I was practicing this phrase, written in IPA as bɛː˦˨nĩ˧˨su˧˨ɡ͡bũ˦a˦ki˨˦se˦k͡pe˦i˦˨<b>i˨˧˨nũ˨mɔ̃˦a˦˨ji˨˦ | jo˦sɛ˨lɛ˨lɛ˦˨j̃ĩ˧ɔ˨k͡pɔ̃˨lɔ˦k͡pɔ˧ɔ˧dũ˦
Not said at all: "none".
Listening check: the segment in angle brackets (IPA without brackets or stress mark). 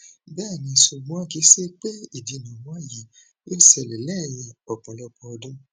d